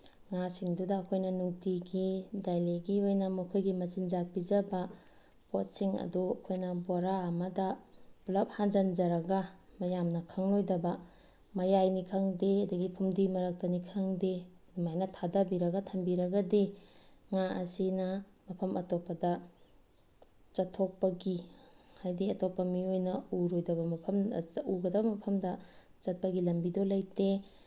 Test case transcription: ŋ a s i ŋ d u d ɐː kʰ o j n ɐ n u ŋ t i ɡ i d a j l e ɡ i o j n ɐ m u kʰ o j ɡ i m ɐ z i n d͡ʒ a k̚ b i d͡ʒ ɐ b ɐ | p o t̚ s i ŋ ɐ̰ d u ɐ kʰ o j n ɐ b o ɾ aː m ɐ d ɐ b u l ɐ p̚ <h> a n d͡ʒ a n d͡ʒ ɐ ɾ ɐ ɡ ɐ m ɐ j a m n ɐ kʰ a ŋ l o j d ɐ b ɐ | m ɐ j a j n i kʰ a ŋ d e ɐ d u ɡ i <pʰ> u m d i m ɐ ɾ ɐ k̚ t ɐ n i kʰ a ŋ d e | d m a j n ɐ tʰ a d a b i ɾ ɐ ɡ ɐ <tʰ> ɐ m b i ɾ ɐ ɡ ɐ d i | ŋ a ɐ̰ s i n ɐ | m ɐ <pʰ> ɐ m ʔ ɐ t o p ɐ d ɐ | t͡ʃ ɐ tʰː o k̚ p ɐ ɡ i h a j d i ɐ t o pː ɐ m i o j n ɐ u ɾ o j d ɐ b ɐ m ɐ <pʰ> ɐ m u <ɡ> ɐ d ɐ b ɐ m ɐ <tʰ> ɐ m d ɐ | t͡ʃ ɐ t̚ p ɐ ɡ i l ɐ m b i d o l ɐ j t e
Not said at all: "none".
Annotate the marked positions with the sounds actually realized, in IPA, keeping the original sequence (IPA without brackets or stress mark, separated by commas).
h, pʰ, tʰ, pʰ, pʰ, ɡ, pʰ